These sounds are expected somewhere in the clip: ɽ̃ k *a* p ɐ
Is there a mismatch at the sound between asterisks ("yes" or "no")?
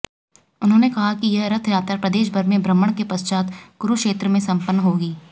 yes